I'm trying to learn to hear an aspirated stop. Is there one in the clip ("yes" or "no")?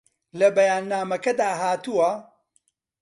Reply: no